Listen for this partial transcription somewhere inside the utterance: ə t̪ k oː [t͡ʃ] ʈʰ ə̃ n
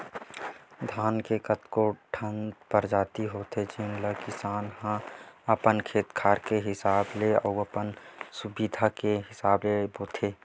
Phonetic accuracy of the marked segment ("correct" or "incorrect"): incorrect